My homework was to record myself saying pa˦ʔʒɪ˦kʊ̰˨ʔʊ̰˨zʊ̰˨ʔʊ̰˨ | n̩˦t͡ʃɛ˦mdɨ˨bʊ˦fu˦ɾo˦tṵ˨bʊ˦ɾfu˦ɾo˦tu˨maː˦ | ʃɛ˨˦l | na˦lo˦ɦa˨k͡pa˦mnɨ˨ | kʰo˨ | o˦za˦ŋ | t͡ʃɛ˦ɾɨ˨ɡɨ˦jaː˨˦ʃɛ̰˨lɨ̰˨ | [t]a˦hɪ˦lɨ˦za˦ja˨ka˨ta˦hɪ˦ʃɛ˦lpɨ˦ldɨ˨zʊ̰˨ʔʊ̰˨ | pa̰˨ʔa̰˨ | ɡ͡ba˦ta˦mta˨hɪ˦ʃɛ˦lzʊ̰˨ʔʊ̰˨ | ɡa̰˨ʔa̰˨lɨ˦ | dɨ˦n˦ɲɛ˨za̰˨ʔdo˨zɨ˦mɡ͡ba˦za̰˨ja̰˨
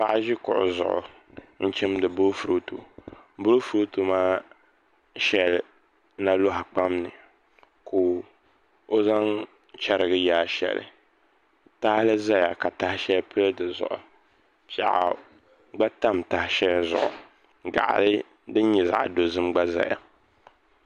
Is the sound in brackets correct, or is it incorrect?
correct